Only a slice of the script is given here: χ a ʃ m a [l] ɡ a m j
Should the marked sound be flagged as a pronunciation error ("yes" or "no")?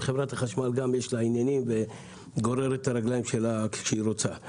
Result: no